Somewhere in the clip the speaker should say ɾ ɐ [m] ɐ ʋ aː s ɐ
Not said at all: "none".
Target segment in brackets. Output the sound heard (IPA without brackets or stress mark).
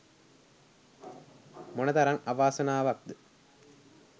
ŋ